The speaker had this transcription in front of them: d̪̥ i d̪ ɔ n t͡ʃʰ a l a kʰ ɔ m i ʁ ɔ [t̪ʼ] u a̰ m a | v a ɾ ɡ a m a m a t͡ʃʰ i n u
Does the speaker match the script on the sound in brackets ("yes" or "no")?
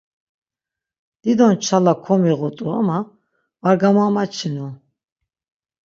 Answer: yes